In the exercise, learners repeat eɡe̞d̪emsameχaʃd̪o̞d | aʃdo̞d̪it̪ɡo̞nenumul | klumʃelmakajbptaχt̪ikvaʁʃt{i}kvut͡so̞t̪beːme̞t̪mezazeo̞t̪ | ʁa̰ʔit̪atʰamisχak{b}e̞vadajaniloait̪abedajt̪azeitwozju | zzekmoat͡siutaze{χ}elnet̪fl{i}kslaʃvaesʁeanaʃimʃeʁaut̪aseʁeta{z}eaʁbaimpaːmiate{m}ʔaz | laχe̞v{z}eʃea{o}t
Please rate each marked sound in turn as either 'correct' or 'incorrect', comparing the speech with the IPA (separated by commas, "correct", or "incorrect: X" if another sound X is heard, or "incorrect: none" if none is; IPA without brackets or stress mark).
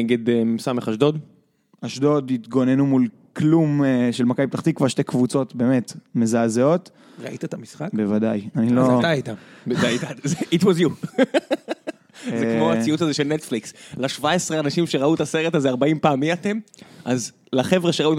incorrect: e, correct, incorrect: ʃ, correct, correct, correct, incorrect: ʁ, incorrect: u